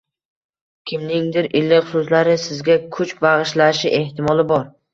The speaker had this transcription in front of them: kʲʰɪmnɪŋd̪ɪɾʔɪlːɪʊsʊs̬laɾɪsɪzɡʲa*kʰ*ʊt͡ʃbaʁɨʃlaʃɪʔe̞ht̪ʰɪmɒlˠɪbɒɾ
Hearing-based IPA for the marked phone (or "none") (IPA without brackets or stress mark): kʰ